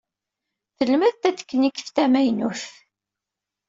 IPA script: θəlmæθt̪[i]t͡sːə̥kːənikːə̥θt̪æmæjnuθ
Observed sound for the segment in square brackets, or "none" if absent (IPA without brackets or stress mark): æ